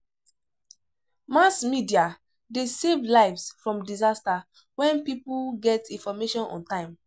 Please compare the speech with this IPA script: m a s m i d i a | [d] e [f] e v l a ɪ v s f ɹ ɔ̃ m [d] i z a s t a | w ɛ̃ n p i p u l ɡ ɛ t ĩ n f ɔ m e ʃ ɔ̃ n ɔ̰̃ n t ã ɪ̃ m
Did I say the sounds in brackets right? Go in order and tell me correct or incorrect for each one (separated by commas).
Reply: correct, incorrect, correct